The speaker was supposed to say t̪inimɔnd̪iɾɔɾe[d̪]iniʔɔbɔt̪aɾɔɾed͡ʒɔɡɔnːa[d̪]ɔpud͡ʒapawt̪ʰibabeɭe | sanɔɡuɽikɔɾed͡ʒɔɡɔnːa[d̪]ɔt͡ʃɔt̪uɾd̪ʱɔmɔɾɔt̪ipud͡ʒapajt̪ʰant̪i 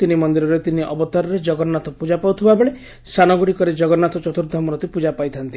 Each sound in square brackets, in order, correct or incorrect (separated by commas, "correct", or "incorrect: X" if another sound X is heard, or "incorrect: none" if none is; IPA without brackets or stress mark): incorrect: t̪, incorrect: t̪, incorrect: t̪